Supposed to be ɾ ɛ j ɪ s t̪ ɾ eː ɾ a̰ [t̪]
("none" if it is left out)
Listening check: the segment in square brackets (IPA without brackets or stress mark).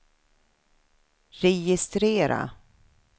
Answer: none